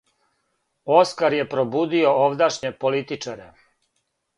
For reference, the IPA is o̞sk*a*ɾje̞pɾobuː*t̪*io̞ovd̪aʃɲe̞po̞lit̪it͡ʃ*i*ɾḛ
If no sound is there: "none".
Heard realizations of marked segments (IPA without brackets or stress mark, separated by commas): a, d̪, a